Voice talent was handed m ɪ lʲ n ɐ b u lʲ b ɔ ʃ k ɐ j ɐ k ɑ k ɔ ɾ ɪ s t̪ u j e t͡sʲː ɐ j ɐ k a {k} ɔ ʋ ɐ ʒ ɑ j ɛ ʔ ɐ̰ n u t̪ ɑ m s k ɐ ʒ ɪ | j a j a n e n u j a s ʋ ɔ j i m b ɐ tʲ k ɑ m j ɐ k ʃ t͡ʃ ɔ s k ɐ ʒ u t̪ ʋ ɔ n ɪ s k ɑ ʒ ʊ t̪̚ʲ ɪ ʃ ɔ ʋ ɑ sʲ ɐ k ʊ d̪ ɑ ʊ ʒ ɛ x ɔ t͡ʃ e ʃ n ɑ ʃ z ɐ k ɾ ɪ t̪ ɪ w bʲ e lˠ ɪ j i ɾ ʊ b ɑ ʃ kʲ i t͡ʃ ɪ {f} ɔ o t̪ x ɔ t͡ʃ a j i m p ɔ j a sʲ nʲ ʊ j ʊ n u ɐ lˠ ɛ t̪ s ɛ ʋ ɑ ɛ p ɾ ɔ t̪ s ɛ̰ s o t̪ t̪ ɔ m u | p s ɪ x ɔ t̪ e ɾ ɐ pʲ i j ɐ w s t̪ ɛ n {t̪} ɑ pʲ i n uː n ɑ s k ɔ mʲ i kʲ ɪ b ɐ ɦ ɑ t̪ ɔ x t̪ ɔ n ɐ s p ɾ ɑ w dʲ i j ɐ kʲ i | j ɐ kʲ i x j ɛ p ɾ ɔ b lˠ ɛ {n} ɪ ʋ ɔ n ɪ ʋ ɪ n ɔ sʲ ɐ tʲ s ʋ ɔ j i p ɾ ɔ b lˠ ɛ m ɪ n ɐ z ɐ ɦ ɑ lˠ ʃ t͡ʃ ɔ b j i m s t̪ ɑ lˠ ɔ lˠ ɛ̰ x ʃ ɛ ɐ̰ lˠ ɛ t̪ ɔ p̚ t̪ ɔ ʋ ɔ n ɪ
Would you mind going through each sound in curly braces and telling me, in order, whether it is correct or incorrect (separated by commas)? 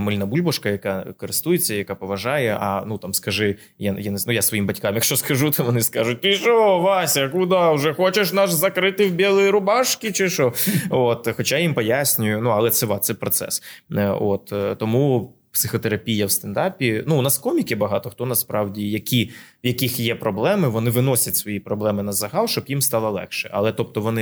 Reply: incorrect, incorrect, incorrect, incorrect